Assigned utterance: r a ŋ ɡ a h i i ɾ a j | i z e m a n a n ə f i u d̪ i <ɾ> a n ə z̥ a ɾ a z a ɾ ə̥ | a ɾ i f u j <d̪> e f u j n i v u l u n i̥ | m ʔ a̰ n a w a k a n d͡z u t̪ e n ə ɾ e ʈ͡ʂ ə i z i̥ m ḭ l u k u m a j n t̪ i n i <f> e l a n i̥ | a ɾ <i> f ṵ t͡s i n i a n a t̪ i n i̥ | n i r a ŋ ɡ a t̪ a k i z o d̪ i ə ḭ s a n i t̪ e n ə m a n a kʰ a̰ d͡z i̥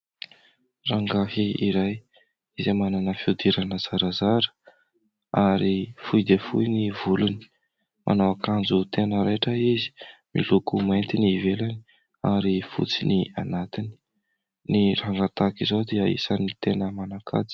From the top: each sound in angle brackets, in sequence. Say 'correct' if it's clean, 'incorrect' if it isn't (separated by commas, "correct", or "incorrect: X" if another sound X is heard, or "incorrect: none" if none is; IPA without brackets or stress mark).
correct, correct, incorrect: v, correct